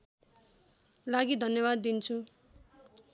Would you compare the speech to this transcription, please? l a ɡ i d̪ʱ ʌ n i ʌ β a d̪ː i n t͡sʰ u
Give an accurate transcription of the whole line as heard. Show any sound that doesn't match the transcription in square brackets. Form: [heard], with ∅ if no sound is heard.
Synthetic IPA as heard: l a ɡ i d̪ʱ ʌ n [j] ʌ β a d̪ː i n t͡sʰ u

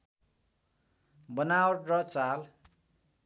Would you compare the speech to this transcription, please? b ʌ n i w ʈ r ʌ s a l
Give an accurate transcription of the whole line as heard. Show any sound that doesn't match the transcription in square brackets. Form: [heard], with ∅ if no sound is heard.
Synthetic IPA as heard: b ʌ n [a] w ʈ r ʌ [t͡s] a l

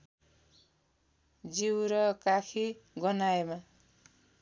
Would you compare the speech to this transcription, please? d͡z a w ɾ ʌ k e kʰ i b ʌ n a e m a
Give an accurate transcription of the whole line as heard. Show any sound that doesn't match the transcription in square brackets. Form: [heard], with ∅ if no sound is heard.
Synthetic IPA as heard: d͡z [i] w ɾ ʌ k [a] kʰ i [ɡ] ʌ n a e m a

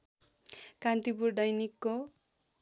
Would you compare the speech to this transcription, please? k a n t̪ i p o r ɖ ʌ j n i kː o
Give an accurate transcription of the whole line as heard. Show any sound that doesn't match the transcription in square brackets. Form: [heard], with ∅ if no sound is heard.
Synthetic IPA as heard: k a n t̪ i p [u] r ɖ ʌ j n i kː o

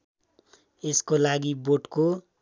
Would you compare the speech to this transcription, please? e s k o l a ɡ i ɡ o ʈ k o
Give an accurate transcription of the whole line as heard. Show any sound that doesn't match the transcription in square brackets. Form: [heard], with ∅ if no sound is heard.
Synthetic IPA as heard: e s k o l a ɡ i [b] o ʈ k o

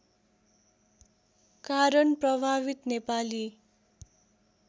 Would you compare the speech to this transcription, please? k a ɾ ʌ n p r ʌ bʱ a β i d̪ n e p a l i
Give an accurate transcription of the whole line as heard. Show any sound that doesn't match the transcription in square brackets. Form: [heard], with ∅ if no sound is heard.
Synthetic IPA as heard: k a ɾ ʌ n p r ʌ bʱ a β i [t̪] n e p a l i

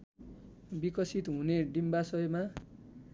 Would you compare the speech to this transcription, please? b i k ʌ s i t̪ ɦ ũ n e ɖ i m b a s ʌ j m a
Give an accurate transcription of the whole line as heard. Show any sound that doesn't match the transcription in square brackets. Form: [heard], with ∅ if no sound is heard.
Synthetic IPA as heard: b i k ʌ s i t̪ ɦ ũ n e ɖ i m b a s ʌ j m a

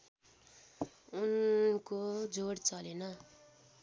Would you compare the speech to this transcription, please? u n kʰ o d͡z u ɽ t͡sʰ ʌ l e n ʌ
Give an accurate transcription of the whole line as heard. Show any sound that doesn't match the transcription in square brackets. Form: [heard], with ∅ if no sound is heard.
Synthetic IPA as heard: u n [k] o d͡z [o] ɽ [t͡s] ʌ l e n ʌ

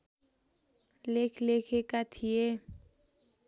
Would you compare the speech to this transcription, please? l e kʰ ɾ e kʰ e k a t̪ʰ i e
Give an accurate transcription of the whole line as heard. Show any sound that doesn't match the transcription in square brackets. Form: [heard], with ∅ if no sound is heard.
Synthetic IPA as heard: l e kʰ [l] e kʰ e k a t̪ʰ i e

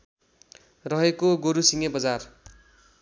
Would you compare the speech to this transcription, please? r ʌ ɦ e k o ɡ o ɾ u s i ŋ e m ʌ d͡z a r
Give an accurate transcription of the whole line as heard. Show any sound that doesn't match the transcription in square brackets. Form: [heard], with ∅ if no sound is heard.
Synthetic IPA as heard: r ʌ ɦ e k o ɡ o ɾ u s i ŋ e [b] ʌ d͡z a r

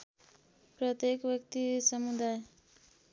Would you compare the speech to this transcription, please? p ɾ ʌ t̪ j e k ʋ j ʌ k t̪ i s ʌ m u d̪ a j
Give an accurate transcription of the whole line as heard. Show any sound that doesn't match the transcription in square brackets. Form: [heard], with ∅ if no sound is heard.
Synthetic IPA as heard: p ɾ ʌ t̪ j e k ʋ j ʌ k t̪ i s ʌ m u d̪ a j

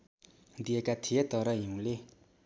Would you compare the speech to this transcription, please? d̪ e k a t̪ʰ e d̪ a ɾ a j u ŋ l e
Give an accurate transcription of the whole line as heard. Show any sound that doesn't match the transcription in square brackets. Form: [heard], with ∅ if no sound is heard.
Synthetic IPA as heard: d̪ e k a t̪ʰ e [t̪] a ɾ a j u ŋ l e

